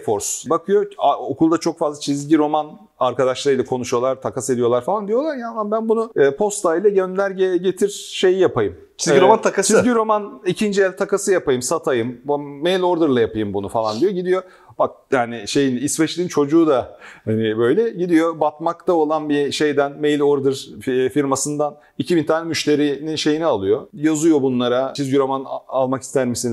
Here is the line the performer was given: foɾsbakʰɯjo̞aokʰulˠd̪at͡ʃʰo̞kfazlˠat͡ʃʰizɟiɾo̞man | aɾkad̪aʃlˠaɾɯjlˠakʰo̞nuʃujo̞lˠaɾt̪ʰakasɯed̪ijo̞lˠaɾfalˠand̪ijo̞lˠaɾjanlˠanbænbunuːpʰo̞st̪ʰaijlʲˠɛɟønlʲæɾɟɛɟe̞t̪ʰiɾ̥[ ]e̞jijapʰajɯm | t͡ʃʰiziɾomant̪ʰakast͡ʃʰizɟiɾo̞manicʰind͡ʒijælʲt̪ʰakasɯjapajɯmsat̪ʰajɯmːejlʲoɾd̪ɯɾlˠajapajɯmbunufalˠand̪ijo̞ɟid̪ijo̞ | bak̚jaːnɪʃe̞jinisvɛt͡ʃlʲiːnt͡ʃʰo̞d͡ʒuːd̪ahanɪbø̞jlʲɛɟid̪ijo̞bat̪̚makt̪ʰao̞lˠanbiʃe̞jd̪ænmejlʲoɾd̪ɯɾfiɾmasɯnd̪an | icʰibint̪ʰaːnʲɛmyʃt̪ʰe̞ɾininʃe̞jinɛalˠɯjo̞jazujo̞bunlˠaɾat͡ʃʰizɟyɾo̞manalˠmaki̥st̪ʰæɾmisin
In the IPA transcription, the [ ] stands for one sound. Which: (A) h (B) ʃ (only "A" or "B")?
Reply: B